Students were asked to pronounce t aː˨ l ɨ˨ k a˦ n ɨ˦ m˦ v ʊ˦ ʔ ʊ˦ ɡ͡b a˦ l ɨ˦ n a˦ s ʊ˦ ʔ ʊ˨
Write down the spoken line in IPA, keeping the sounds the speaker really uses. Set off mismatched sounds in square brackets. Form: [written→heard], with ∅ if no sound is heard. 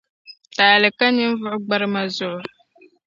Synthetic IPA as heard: t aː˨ l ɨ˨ k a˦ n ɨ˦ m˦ v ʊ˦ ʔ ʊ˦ ɡ͡b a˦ [l→ɾ] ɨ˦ [n→m] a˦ [s→z] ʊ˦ ʔ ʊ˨